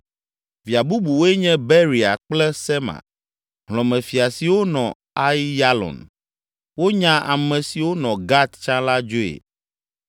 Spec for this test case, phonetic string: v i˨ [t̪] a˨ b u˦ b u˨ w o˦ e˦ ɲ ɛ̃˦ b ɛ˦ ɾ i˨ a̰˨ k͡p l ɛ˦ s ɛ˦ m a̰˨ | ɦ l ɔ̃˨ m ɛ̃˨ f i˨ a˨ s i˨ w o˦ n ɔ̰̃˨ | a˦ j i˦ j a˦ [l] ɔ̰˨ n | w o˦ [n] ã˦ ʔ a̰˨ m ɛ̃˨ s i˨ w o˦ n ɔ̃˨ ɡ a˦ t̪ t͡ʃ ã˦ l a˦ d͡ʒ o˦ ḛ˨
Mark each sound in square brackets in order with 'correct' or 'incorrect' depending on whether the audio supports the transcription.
incorrect, correct, incorrect

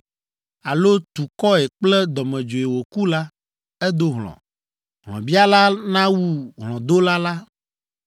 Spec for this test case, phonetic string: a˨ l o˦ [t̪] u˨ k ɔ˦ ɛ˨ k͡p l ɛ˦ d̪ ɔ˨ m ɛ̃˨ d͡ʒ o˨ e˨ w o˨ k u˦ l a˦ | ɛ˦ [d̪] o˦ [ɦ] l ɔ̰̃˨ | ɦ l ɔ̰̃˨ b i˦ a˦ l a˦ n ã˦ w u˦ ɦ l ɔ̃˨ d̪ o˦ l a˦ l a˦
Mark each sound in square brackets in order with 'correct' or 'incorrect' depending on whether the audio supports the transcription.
correct, correct, correct

